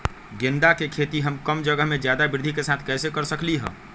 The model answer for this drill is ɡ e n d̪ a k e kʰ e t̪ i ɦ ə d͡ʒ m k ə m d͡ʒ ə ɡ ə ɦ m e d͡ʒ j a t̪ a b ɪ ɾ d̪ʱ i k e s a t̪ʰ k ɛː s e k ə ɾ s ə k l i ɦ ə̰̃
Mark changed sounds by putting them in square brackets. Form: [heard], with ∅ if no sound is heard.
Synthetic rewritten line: ɡ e n d̪ a k e kʰ e t̪ i ɦ ə [∅] m k ə m d͡ʒ ə ɡ ə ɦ m e d͡ʒ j a [d̪] a b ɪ ɾ d̪ʱ i k e s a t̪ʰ k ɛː s e k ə ɾ s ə k l i ɦ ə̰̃